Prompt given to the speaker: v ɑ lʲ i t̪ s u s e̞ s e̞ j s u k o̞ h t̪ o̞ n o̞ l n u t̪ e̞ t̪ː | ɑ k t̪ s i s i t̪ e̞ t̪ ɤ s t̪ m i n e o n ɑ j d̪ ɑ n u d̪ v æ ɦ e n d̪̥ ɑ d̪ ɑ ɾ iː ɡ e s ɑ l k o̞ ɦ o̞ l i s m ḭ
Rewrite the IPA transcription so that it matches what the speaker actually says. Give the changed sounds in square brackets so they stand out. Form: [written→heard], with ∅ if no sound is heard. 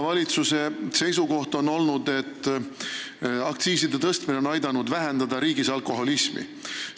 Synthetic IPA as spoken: v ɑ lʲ i t̪ s u s e̞ s e̞ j s u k o̞ h t̪ o̞ n o̞ l n u [t̪→d̪] e̞ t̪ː | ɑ k t̪ s [i→iː] s i [t̪→d̪] e̞ t̪ ɤ s t̪ m i n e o n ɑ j d̪ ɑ n u d̪ v æ ɦ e n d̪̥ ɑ d̪ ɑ ɾ iː ɡ [e→i] s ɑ l k o̞ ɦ o̞ l i s m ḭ